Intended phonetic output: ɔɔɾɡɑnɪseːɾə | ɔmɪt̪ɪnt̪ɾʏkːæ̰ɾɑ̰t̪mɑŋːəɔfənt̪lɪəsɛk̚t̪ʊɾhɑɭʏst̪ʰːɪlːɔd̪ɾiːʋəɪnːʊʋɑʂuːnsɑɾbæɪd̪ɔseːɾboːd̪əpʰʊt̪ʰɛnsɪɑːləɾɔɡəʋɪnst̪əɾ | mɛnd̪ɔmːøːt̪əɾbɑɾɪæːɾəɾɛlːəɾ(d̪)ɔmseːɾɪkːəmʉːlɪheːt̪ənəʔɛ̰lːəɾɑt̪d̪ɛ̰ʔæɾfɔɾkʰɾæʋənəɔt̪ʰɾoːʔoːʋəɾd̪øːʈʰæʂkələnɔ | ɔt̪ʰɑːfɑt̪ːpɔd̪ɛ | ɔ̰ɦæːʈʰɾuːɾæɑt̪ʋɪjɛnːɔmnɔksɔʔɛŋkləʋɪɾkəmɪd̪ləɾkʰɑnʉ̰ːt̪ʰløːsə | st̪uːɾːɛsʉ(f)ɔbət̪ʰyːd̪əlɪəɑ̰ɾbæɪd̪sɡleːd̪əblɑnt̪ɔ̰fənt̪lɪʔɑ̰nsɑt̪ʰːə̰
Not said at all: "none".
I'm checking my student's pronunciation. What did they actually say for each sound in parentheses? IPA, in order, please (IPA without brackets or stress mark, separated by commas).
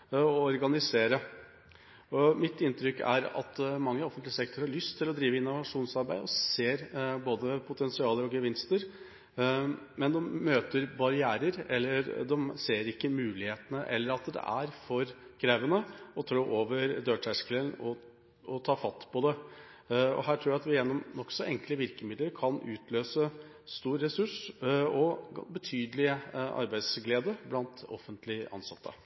d̪, ʂ